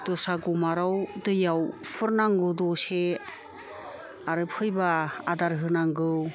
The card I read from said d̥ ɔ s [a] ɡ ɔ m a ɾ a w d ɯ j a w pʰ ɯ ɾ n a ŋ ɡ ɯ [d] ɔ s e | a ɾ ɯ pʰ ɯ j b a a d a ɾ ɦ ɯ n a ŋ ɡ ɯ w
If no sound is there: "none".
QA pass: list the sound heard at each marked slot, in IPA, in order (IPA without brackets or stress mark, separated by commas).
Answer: a, d